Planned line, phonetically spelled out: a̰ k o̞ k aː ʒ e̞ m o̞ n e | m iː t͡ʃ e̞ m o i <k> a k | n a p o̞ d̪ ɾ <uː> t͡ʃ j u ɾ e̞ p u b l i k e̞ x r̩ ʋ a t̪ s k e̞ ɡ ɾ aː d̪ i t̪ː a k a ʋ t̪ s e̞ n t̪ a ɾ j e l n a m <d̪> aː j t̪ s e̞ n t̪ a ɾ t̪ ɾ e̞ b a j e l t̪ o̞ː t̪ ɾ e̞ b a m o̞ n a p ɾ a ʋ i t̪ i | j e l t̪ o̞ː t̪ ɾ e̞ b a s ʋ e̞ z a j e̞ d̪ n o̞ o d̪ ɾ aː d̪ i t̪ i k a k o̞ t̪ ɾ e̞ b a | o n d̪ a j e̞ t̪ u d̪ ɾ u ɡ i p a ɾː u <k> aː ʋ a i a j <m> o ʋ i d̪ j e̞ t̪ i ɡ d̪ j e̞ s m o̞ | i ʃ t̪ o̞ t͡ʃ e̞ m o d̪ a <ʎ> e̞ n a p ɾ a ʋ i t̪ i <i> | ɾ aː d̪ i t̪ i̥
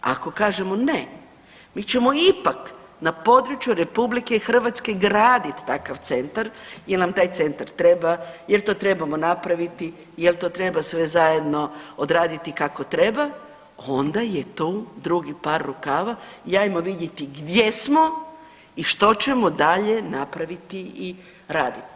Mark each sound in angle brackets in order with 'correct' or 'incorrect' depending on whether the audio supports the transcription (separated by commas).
incorrect, incorrect, incorrect, correct, correct, correct, correct